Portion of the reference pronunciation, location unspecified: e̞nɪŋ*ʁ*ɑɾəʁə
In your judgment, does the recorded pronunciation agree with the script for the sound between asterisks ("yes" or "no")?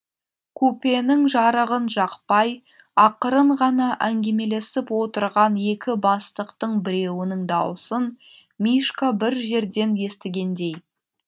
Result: no